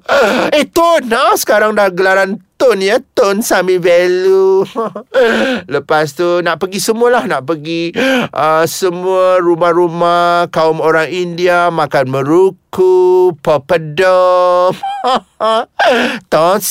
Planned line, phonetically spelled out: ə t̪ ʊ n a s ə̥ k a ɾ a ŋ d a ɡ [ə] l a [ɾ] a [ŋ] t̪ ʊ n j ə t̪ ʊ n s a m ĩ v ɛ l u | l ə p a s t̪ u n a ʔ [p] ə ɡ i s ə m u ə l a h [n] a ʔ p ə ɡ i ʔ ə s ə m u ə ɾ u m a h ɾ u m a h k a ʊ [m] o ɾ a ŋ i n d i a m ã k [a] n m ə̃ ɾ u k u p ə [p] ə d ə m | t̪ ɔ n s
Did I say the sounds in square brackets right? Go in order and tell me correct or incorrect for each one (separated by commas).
correct, correct, incorrect, correct, correct, correct, correct, correct